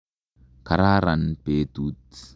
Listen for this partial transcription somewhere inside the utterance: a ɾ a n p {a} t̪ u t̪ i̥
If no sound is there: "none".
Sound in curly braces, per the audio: e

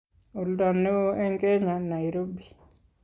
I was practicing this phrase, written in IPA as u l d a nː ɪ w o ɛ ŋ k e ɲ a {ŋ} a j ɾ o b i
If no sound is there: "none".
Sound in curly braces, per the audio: n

